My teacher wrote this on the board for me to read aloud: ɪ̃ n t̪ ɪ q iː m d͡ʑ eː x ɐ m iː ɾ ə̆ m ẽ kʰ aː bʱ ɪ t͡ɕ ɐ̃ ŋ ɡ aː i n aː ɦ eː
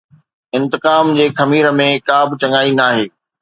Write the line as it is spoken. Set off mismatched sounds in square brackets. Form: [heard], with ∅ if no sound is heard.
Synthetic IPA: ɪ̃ n t̪ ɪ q [aː] m d͡ʑ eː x ɐ m iː ɾ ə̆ m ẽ [k] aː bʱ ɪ t͡ɕ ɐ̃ ŋ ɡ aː i n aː ɦ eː